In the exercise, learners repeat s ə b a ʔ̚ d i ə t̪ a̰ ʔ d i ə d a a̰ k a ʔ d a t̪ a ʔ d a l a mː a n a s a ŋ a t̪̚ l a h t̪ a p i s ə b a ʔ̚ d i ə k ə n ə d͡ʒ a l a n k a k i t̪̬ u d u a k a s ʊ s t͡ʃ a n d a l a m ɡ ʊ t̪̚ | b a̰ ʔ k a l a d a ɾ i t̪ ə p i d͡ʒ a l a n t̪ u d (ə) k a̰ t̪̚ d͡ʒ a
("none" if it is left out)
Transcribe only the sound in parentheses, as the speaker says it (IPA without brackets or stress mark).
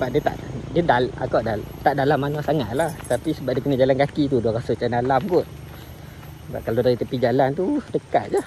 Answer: ə